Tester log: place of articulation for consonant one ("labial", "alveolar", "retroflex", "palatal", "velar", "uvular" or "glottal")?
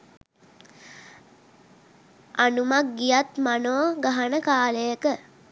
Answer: alveolar